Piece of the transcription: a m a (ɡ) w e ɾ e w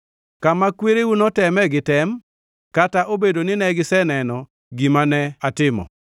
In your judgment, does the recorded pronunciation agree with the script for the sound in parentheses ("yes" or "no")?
no